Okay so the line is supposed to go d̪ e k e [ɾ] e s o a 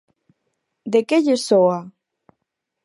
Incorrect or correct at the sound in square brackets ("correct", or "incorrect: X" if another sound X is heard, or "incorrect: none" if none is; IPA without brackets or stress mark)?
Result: incorrect: ʎ